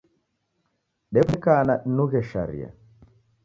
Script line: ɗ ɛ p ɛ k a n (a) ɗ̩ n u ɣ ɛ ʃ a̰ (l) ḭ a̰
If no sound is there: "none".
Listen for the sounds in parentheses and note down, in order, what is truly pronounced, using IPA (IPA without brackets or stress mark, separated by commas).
a, ɾ